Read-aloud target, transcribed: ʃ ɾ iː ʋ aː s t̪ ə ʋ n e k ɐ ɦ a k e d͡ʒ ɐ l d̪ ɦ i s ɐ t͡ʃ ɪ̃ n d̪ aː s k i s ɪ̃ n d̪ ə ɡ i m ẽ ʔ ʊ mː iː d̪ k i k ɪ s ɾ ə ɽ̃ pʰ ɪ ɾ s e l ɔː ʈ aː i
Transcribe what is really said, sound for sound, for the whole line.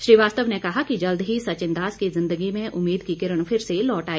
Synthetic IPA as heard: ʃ ɾ iː ʋ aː s t̪ ə ʋ n e k ɐ ɦ a k i d͡ʒ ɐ l d̪ ɦ i s ɐ t͡ʃ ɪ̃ n d̪ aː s k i z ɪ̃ n d̪ ə ɡ i m ẽ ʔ ʊ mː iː d̪ k i k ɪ ɾ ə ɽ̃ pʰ ɪ ɾ s e l ɔː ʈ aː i